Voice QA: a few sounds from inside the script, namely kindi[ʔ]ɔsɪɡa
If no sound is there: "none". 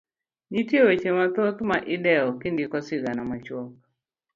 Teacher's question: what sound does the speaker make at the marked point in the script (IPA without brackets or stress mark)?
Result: k